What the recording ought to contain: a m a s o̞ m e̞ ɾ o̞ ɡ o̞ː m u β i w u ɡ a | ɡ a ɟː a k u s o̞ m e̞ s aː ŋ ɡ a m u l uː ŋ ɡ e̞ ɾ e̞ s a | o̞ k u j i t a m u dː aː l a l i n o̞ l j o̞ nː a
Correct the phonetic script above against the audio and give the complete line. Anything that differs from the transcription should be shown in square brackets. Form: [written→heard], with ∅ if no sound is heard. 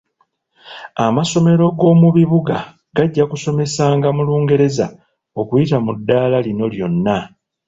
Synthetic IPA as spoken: a m a s o̞ m e̞ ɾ o̞ ɡ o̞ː m u β i [w→β] u ɡ a | ɡ a ɟː a k u s o̞ m e̞ s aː ŋ ɡ a m u l uː ŋ ɡ e̞ ɾ e̞ [s→z] a | o̞ k u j i t a m u dː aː l a l i n o̞ l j o̞ nː a